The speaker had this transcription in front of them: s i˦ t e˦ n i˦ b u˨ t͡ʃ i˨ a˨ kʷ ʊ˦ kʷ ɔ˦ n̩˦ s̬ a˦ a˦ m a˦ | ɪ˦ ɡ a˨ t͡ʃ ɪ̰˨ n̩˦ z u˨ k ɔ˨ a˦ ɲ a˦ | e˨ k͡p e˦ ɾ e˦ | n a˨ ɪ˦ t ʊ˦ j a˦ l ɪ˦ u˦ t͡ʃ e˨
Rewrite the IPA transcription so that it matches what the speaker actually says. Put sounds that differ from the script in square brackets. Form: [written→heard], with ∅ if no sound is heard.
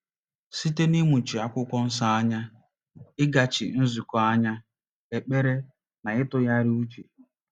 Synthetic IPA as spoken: s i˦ t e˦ n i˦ [b→m] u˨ t͡ʃ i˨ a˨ kʷ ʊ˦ kʷ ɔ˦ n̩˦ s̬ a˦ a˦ [m→ɲ] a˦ | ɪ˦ ɡ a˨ t͡ʃ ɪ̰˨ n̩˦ z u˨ k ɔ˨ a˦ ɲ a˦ | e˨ k͡p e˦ ɾ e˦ | n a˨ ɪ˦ t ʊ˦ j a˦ [l→ɾ] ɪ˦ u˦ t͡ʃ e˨